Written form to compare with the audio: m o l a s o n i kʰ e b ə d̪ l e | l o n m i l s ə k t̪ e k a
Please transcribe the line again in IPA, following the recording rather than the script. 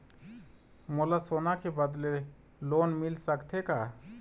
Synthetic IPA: m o l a s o n a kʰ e b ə d̪ l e | l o n m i l s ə k t̪ʰ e k a

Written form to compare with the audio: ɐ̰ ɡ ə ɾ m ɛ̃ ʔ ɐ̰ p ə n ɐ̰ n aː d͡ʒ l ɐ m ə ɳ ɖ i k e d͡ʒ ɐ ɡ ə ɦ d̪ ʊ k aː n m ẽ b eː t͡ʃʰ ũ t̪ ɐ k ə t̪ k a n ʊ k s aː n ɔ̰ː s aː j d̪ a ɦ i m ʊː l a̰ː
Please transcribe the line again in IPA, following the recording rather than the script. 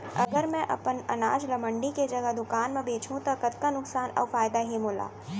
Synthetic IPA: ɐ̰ ɡ ə ɾ m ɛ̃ ʔ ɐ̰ p ə n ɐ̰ n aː d͡ʒ l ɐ m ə ɳ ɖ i k e d͡ʒ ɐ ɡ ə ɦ d̪ ʊ k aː n m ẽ b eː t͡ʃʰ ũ t̪ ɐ k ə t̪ k a n ʊ k s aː n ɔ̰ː f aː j d̪ a ɦ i m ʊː l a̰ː

